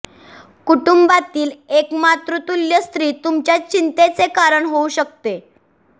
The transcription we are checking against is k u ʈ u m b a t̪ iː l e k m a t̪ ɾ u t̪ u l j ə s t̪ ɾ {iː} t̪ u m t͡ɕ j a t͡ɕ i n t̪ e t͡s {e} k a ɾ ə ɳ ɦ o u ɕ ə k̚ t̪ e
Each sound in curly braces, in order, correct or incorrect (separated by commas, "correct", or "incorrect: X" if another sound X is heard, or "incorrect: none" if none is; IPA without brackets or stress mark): correct, correct